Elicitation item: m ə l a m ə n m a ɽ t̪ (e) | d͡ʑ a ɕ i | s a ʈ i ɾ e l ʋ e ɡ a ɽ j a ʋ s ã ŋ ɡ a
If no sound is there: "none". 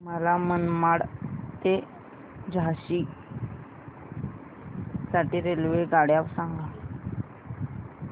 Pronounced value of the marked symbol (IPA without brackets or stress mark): e